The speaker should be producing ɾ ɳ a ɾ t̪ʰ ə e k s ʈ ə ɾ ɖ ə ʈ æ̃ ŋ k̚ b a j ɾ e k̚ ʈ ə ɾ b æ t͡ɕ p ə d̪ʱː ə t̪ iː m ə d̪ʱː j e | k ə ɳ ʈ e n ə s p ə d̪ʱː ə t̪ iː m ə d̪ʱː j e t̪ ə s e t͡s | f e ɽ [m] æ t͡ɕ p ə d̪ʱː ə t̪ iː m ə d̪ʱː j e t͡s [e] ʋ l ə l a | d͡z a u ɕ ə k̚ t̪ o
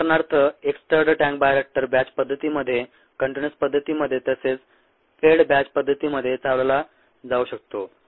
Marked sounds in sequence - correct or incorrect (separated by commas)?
incorrect, incorrect